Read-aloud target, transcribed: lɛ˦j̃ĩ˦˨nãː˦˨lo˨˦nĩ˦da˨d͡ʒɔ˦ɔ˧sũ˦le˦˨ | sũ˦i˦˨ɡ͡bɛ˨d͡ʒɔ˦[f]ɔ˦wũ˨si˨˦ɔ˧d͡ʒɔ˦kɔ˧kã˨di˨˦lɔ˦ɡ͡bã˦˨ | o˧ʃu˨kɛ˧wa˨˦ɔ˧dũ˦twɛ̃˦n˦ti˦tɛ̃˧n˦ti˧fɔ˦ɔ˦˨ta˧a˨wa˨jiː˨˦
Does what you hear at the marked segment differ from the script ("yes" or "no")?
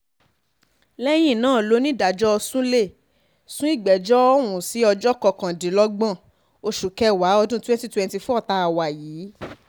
yes